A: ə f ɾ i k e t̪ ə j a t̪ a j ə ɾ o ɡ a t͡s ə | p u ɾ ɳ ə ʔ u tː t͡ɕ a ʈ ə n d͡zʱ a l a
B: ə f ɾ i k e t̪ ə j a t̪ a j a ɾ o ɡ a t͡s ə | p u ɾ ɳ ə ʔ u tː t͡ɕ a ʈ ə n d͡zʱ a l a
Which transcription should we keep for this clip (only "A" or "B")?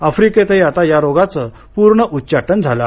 B